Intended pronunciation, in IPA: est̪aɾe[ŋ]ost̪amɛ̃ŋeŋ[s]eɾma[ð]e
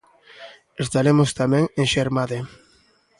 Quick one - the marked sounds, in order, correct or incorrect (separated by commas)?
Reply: incorrect, incorrect, correct